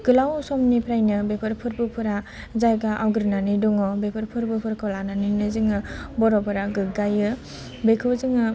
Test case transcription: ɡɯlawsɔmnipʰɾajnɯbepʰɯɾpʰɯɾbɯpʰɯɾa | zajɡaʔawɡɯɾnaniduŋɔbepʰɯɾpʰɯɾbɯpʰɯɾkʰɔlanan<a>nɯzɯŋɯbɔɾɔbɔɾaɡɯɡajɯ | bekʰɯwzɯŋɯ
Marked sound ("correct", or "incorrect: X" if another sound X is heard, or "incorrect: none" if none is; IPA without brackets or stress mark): incorrect: i